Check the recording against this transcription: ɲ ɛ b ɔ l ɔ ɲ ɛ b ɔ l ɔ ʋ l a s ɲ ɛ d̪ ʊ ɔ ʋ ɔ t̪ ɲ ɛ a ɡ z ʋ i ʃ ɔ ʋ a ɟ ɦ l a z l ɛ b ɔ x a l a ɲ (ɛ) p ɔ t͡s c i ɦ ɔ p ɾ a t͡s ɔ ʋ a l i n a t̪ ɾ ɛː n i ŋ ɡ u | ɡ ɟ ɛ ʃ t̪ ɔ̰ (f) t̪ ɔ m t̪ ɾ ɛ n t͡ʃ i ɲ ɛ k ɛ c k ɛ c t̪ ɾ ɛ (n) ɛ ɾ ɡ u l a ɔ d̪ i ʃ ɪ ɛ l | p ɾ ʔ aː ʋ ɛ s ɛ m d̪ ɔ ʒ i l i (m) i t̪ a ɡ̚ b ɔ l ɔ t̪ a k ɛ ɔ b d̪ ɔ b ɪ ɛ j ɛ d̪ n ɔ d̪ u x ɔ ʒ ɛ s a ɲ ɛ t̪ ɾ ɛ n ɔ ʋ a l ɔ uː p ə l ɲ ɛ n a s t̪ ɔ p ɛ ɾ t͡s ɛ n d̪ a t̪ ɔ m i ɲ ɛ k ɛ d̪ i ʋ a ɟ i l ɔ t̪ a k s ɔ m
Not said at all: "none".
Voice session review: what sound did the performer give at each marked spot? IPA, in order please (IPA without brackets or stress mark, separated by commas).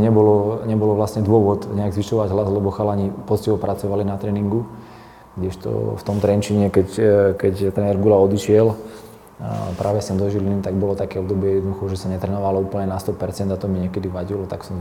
i, f, n, n